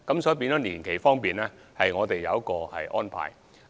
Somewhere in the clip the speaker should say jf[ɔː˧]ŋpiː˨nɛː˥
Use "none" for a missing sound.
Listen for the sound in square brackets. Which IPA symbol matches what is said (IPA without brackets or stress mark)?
ɔː˥